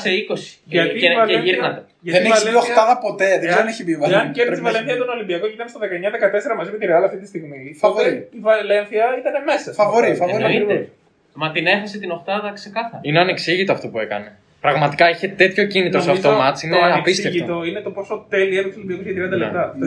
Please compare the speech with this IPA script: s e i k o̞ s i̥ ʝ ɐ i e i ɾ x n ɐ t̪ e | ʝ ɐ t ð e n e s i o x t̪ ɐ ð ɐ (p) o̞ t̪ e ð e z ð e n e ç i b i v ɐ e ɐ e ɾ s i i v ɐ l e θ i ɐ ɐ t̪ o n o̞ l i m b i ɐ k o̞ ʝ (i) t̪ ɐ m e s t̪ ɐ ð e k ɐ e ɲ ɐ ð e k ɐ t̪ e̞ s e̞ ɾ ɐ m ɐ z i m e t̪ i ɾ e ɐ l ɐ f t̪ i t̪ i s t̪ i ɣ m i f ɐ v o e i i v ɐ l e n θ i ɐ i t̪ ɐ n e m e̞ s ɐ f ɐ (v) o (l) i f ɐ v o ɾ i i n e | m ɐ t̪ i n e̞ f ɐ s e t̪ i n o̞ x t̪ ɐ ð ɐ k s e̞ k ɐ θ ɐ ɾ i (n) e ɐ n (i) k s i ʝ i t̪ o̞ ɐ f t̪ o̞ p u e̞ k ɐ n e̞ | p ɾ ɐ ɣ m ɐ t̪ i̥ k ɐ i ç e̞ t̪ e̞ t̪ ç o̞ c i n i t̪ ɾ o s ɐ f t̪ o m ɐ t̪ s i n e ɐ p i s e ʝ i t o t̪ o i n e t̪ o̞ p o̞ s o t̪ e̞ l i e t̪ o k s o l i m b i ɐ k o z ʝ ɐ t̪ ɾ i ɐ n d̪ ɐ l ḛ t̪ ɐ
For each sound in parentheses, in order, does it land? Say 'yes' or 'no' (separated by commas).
yes, yes, yes, no, yes, no